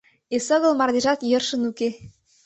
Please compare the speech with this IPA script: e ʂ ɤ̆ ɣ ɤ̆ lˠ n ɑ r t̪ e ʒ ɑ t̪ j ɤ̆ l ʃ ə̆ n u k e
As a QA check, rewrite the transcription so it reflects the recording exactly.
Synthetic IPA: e s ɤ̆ ɣ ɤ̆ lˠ m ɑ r d̪ e ʒ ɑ t̪ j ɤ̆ r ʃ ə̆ n u k e